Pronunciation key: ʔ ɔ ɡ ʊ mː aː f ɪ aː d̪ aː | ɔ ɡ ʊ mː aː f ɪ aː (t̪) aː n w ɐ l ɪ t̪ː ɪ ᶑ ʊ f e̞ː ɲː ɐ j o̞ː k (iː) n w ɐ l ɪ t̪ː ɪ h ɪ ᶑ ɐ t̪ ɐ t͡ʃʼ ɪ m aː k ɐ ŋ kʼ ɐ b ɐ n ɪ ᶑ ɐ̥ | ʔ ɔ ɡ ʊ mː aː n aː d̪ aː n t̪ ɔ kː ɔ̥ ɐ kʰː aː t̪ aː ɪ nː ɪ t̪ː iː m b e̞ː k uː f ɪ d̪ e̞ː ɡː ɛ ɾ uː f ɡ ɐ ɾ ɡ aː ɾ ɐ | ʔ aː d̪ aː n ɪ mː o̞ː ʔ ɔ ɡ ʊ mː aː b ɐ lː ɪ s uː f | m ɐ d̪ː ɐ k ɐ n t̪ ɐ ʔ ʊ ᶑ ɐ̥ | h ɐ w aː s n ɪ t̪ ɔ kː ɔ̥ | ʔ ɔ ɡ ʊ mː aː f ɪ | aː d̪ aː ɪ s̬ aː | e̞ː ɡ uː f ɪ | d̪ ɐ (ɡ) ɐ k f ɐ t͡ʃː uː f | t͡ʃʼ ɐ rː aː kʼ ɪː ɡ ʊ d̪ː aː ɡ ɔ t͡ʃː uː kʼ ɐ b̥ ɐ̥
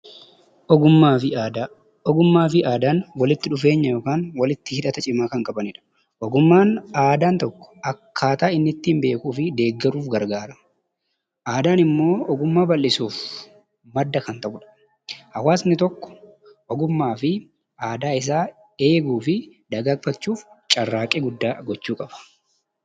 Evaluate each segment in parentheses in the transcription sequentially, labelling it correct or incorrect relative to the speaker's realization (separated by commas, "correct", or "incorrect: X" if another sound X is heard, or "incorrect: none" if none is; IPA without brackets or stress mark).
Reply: incorrect: d̪, incorrect: aː, correct